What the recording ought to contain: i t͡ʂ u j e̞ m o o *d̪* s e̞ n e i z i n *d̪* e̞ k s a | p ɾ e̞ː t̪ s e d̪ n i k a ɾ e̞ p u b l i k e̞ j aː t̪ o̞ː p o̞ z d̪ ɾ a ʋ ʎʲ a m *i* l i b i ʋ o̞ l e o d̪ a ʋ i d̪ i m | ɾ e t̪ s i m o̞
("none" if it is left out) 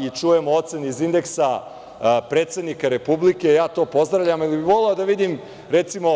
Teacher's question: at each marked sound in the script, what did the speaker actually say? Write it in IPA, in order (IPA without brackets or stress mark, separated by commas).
t̪, d̪, i